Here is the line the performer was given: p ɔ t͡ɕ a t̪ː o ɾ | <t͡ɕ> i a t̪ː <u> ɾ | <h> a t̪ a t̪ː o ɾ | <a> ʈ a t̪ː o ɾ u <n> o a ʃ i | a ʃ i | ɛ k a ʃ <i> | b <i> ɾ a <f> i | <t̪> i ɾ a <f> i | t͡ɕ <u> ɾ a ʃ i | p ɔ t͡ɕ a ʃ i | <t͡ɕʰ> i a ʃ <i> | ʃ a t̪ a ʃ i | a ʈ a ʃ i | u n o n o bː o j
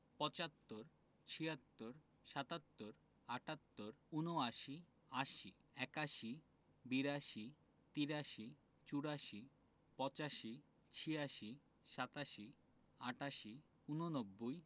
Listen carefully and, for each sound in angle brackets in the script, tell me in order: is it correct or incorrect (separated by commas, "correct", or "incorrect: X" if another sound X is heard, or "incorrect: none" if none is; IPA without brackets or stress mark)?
incorrect: t͡ɕʰ, incorrect: o, incorrect: ʃ, correct, correct, correct, correct, incorrect: ʃ, correct, incorrect: ʃ, correct, correct, correct